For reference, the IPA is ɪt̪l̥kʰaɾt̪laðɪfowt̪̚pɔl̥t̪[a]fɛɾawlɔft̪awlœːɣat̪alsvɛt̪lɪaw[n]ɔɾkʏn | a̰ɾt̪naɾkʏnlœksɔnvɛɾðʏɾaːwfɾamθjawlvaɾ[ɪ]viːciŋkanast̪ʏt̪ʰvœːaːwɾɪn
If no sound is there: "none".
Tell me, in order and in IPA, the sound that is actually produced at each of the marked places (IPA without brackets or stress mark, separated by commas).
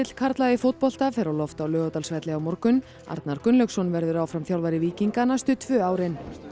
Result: a, m, ɪ